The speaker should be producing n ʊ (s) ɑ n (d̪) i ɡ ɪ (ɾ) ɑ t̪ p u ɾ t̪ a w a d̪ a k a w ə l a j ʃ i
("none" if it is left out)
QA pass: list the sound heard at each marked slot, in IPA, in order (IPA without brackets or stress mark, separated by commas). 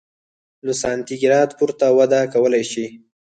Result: s, t̪, ɾ